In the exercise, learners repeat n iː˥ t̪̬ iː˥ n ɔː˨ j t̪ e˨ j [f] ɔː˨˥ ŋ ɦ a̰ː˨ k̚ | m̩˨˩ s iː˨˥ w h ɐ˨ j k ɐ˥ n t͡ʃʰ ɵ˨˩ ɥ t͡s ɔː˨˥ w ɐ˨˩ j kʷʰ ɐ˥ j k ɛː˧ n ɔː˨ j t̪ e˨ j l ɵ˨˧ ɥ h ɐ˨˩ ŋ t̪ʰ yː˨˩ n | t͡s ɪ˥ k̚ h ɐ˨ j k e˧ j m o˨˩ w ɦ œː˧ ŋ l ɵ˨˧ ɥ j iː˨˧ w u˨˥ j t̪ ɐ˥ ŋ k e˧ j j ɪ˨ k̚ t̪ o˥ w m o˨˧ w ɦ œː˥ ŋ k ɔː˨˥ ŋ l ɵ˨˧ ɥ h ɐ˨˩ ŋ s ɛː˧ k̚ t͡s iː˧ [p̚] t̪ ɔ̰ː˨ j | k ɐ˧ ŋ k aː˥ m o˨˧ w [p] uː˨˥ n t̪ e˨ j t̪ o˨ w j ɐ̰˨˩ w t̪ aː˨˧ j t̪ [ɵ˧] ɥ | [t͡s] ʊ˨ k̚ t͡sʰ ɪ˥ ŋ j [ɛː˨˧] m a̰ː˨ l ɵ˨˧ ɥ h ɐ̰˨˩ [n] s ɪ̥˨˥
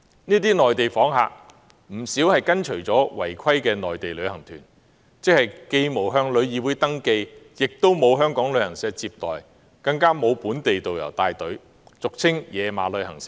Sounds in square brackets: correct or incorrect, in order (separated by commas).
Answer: correct, correct, correct, incorrect, correct, correct, incorrect